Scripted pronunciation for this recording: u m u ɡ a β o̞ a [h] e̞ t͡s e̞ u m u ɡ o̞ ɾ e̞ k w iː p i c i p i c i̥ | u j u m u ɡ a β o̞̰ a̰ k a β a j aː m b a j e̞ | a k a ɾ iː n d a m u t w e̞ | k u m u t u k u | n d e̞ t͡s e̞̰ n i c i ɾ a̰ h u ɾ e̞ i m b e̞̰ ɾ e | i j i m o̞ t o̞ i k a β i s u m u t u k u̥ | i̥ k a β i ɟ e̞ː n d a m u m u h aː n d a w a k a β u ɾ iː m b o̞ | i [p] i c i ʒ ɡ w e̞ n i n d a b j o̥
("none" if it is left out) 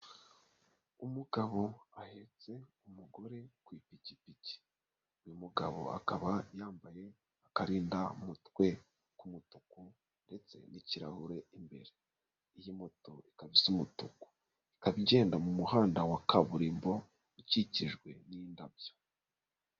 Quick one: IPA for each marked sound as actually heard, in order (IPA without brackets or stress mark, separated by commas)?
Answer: h, c